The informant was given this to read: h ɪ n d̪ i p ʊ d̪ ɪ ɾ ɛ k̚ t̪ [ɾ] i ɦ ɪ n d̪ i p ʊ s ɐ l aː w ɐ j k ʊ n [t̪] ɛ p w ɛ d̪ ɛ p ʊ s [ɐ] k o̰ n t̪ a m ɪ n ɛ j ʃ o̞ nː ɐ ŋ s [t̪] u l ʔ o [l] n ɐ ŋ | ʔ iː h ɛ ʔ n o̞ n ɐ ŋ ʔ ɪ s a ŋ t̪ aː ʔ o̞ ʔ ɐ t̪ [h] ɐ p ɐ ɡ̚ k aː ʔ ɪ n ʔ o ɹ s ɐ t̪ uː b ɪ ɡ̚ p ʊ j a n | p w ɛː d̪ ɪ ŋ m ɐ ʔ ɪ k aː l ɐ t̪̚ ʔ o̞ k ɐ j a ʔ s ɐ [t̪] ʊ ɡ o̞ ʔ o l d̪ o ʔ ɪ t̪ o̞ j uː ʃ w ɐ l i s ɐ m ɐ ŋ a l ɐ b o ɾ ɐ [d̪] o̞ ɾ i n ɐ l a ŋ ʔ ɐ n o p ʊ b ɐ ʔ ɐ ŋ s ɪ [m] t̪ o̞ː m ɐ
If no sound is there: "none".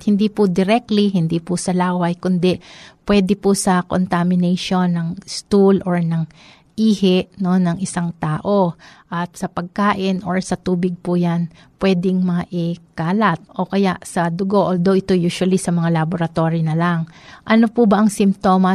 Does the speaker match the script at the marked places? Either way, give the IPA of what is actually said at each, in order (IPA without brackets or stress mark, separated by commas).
l, d̪, ɐ, t̪, ɹ, s, d̪, t̪, m